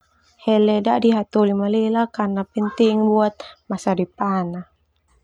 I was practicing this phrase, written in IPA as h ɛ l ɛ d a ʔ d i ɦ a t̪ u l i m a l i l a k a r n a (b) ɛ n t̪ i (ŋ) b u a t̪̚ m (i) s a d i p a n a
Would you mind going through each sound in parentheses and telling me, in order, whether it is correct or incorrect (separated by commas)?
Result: incorrect, correct, incorrect